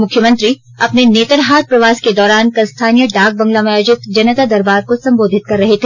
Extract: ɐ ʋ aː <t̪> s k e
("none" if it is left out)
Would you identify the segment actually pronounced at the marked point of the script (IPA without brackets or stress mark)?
none